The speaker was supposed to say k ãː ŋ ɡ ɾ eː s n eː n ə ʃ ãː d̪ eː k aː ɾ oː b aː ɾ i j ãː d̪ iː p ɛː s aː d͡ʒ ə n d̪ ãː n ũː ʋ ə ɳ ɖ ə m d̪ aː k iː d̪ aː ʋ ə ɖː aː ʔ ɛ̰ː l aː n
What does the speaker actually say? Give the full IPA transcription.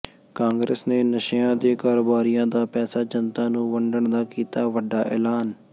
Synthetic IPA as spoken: k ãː ŋ ɡ ɾ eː s n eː n ə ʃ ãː d̪ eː k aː ɾ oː b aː ɾ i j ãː d̪ aː p ɛː s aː d͡ʒ ə n t̪ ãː n ũː ʋ ə ɳ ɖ ə ɳ d̪ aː k iː t̪ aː ʋ ə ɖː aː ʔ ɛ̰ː l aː n